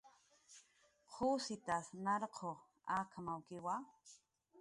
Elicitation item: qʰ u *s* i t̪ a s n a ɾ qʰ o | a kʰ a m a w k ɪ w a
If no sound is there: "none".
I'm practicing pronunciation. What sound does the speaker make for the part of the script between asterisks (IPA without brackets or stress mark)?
s